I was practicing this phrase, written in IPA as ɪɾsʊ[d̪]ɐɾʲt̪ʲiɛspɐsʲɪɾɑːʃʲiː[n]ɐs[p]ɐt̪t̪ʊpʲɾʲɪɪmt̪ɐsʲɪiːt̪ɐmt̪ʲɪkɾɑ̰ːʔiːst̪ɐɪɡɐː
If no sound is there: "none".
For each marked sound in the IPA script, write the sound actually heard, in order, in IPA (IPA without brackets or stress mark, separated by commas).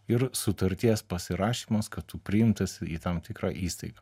t̪, m, k